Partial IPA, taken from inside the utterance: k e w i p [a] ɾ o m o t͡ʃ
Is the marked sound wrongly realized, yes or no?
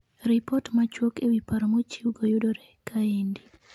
no